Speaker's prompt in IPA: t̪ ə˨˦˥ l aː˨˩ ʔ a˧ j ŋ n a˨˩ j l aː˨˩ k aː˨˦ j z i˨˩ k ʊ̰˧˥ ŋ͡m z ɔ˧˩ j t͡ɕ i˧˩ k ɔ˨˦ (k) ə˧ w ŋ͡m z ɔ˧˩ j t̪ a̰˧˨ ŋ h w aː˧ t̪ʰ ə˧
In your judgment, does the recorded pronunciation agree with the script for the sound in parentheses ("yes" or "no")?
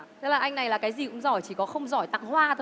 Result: no